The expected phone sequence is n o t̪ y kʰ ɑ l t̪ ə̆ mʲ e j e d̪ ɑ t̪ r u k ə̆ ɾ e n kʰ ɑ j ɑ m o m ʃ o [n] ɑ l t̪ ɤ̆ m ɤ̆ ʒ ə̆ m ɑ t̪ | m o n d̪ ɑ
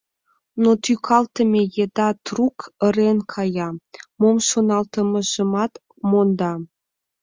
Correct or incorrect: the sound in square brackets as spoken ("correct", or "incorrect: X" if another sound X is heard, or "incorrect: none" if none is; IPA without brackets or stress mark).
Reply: correct